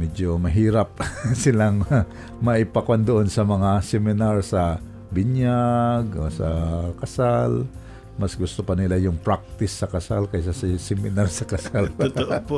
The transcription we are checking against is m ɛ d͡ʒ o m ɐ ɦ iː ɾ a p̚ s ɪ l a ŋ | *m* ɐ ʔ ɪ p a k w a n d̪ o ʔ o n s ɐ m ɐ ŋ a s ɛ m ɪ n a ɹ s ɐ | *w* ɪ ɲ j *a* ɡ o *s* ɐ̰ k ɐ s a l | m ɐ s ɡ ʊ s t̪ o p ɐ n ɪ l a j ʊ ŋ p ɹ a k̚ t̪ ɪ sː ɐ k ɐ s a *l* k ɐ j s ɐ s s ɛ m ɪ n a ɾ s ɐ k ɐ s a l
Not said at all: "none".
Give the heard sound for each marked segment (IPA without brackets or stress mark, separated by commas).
m, b, a, s, l